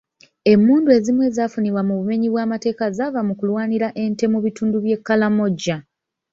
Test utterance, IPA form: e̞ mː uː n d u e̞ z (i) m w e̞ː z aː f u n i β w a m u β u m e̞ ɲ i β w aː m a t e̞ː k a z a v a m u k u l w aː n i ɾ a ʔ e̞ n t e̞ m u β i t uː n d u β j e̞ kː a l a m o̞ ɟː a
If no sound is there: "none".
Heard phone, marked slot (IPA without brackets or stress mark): i